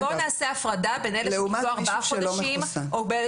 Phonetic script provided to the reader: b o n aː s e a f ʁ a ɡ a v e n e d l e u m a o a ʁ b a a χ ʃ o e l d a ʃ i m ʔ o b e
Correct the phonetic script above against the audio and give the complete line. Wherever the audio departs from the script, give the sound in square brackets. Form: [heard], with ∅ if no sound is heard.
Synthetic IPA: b o n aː s e a f ʁ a [d] a [b] e n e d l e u m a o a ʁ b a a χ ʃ o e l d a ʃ i m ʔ o b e